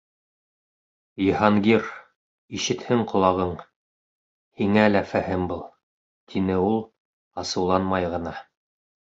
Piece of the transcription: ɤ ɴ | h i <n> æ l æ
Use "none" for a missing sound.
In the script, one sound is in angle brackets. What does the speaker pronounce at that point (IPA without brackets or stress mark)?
ŋ